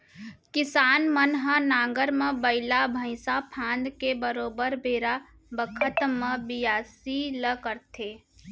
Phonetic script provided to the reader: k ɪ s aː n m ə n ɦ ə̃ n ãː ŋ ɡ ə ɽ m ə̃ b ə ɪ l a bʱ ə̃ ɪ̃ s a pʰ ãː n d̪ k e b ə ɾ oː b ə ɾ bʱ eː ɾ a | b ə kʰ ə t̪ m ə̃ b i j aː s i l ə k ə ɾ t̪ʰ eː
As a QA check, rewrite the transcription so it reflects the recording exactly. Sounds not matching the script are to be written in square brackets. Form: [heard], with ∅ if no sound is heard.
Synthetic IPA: k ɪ s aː n m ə n ɦ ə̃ n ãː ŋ ɡ ə [ɾ] m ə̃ b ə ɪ l a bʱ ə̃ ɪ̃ s a pʰ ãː n d̪ k e b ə ɾ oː b ə ɾ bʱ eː ɾ a | b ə kʰ ə t̪ m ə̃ b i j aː s i l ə k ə ɾ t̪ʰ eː